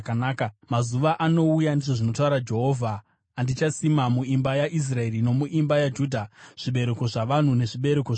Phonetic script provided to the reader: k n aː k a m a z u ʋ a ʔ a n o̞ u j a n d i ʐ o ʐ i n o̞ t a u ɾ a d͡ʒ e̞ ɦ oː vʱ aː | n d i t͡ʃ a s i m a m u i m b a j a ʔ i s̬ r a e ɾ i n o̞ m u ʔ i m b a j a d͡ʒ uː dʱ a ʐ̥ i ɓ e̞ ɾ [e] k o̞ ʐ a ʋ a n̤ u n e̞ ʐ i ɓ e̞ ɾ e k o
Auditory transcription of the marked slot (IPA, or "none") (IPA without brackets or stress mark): e